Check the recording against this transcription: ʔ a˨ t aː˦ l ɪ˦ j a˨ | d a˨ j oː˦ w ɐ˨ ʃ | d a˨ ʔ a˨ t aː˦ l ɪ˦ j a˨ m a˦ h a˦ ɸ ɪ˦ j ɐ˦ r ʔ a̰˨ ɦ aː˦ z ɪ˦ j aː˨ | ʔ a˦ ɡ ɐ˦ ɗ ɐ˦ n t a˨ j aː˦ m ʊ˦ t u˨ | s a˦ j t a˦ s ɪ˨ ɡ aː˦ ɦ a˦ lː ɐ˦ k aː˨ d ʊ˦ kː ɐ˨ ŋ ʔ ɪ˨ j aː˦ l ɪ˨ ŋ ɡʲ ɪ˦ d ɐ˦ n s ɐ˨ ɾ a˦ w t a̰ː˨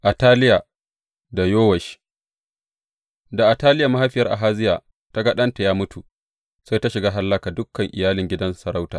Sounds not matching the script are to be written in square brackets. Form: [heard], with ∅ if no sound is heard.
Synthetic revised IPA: ʔ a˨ t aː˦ l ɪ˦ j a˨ | d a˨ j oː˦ w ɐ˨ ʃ | d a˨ ʔ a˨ t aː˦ l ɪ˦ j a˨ m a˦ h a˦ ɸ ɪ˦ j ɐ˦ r ʔ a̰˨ ɦ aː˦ z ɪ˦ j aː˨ | [t] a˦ ɡ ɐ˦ ɗ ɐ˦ n t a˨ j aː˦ m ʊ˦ t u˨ | s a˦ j t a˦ [ʃ] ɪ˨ ɡ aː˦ ɦ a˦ lː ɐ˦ k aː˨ d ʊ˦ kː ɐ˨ ŋ ʔ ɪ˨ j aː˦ l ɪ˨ ŋ ɡʲ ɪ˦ d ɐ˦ n s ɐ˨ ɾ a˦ w t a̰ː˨

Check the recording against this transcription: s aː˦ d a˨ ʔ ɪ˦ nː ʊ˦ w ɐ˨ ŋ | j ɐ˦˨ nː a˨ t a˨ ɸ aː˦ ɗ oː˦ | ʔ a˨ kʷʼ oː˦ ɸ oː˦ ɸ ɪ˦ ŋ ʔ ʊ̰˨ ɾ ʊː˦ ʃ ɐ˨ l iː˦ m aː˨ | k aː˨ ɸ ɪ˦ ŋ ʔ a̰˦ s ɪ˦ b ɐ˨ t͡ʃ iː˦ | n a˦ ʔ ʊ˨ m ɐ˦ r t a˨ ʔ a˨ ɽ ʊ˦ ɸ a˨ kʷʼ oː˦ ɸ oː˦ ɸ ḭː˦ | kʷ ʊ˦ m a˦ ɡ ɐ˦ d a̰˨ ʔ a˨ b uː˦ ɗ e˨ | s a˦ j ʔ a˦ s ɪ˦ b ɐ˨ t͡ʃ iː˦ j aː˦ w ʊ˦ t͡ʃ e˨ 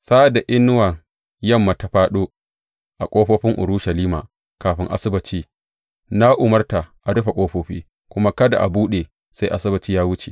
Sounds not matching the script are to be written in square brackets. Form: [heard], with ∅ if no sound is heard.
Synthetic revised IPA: s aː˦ d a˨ ʔ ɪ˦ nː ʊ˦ w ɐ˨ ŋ | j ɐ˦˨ [mː] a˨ t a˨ ɸ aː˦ ɗ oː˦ | ʔ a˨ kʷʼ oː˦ ɸ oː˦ ɸ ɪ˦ ŋ ʔ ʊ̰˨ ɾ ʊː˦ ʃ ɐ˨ l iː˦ m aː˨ | k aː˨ ɸ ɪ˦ ŋ ʔ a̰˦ s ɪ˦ b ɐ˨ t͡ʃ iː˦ | n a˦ ʔ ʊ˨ m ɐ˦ r t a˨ ʔ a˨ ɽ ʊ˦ ɸ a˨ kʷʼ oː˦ ɸ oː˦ ɸ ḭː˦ | kʷ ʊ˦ m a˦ [k] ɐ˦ d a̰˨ ʔ a˨ b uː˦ ɗ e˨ | s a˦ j ʔ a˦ s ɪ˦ b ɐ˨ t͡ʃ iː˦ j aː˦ w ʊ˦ t͡ʃ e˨

